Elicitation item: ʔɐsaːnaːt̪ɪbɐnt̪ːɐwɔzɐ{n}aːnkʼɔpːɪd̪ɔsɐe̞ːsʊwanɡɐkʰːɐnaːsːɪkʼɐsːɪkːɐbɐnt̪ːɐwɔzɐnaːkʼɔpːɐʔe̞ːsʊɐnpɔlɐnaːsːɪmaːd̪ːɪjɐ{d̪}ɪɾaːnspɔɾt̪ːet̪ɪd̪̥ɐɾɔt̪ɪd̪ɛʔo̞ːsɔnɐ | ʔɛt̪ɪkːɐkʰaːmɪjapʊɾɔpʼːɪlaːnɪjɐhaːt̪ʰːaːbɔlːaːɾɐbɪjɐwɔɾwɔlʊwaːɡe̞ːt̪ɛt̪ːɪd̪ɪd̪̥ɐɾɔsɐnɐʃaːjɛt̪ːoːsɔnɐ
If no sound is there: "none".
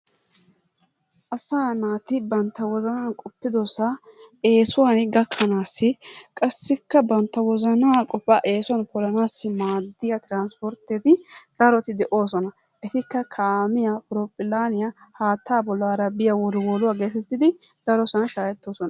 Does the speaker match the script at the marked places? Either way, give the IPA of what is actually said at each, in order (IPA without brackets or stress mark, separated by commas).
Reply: n, t̪